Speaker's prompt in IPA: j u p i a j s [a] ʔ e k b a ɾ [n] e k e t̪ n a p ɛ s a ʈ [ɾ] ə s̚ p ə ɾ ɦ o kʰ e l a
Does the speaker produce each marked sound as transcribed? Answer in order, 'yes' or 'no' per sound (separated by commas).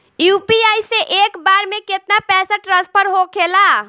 no, no, yes